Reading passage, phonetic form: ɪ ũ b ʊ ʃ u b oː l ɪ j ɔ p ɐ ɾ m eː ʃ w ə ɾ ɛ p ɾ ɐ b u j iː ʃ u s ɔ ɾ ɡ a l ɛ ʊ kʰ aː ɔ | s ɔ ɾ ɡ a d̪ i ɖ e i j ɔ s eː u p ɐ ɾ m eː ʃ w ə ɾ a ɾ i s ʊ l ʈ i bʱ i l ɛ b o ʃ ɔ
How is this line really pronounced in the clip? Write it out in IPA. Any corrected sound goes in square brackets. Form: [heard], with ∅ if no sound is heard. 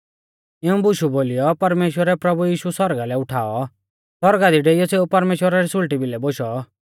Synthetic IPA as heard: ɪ ũ b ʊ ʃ u b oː l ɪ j ɔ p ɐ ɾ m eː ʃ w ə ɾ ɛ p ɾ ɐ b u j iː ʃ u s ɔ ɾ ɡ a l ɛ ʊ [ʈʰ] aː ɔ | s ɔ ɾ ɡ a d̪ i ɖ e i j ɔ s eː u p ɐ ɾ m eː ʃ w ə ɾ a ɾ i s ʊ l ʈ i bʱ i l ɛ b o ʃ ɔ